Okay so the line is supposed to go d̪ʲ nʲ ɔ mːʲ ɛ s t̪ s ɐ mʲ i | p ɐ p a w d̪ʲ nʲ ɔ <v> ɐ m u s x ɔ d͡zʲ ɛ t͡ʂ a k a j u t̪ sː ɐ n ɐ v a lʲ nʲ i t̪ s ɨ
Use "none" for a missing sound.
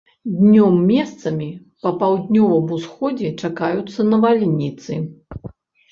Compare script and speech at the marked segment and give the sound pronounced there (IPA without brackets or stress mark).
v